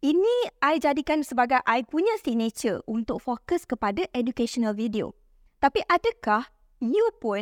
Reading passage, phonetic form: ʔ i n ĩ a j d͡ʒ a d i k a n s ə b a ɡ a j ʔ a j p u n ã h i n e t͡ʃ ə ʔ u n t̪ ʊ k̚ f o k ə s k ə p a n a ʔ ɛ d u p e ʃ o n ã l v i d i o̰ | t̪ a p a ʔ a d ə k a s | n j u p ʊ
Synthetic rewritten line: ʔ i n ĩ a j d͡ʒ a d i k a n s ə b a ɡ a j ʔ a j p u ɲ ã s i n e t͡ʃ ə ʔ u n t̪ ʊ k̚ f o k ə s k ə p a d a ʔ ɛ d u k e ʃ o n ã l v i d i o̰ | t̪ a p i ʔ a d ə k a h | n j u p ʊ